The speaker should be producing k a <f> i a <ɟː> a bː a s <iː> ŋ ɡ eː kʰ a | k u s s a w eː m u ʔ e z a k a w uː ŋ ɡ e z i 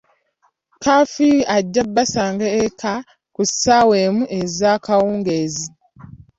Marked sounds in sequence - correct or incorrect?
correct, correct, incorrect

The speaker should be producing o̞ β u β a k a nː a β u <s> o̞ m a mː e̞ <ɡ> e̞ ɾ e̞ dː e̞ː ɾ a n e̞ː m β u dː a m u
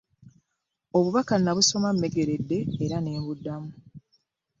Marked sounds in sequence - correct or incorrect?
correct, correct

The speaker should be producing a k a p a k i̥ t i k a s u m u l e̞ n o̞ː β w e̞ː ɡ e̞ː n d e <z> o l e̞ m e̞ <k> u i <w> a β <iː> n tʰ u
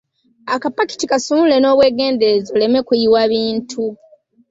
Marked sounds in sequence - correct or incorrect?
correct, correct, correct, correct

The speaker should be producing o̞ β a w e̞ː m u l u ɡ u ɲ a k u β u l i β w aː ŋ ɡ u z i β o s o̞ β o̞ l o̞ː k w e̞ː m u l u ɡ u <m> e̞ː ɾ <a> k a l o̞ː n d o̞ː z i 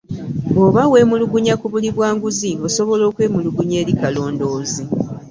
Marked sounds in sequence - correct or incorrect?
incorrect, incorrect

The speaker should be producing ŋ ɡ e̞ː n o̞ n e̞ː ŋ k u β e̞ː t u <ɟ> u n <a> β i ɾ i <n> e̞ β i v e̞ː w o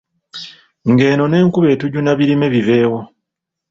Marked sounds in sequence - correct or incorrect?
correct, correct, incorrect

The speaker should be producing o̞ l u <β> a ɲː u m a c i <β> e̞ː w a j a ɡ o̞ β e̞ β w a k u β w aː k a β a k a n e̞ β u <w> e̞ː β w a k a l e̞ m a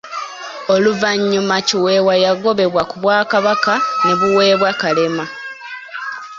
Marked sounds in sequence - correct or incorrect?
incorrect, incorrect, correct

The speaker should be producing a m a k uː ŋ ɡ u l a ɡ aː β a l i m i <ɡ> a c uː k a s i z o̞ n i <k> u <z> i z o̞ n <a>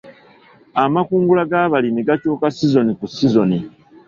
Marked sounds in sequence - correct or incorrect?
correct, correct, incorrect, incorrect

